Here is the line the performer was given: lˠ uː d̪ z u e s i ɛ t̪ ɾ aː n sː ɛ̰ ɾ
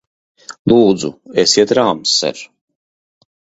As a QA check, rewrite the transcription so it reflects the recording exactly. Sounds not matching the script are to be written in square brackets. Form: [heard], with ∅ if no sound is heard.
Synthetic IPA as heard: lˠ uː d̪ z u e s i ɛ t̪ ɾ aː [m] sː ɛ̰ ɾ